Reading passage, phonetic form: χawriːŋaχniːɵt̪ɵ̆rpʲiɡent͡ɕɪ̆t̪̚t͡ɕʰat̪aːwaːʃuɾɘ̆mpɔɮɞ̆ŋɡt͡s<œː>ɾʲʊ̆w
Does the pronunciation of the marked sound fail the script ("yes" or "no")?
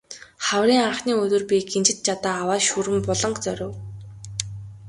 yes